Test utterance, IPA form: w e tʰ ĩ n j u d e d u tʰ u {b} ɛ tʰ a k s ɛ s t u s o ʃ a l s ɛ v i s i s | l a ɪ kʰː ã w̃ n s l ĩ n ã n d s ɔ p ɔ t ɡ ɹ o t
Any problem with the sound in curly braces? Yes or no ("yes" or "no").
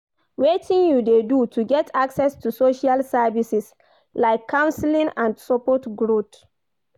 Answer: yes